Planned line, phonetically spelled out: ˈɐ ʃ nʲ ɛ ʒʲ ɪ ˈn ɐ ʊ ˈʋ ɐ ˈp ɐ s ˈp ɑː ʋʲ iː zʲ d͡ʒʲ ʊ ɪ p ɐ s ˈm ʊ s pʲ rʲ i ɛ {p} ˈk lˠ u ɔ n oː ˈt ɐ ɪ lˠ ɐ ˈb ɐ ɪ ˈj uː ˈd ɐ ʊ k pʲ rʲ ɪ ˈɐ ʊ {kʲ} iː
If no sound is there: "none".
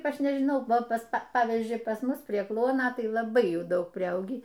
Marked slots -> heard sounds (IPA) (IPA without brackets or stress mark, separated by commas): none, ɡʲ